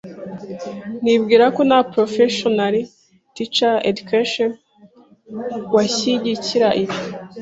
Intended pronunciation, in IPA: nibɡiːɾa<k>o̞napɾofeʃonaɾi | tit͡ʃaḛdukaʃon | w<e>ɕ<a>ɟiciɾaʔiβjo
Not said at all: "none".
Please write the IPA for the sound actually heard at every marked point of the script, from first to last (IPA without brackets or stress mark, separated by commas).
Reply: k, a, i